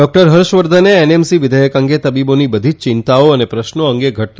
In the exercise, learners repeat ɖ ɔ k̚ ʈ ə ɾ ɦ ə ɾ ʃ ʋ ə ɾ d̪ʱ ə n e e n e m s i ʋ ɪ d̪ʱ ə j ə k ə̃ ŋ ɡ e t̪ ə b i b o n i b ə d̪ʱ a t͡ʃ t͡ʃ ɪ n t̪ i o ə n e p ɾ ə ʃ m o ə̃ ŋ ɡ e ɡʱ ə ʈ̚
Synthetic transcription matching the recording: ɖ ɔ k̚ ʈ ə ɾ ɦ ə ɾ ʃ ʋ ə ɾ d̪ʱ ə n e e n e m s i ʋ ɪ d̪ʱ ə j ə k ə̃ ŋ ɡ e t̪ ə b i b o n i b ə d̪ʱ i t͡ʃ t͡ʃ ɪ n t̪ a o ə n e p ɾ ə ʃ n o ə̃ ŋ ɡ e ɡʱ ə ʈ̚